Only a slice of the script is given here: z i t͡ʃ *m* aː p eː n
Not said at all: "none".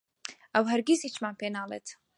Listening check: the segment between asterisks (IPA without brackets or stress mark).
m